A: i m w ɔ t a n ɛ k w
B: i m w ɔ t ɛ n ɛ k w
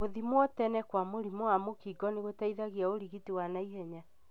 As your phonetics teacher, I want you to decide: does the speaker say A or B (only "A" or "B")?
B